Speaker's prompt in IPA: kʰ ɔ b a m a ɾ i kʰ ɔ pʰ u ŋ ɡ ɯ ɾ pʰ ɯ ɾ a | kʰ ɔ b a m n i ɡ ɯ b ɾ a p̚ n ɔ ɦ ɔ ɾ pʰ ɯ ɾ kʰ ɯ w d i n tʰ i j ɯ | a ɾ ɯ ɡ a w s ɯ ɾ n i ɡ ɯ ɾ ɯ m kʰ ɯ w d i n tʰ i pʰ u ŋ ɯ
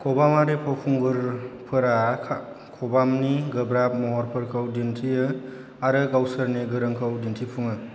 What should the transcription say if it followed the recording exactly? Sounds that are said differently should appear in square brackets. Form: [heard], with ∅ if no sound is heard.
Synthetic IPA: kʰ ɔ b a m a ɾ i [pʰ] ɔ pʰ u ŋ ɡ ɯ ɾ pʰ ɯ ɾ a | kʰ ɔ b a m n i ɡ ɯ b ɾ a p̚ [m] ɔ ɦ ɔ ɾ pʰ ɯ ɾ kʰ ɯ w d i n tʰ i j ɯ | a ɾ ɯ ɡ a w s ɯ ɾ n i ɡ ɯ ɾ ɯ [ŋ] kʰ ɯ w d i n tʰ i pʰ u ŋ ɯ